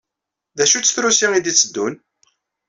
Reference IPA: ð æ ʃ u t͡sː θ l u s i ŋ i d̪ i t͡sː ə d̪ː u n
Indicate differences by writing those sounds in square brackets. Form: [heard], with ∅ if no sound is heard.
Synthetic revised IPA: ð æ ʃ u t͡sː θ [ɾ] u s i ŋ i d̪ i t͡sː ə d̪ː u n